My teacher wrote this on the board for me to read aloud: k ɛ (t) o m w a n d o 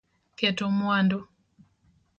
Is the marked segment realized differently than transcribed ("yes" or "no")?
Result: no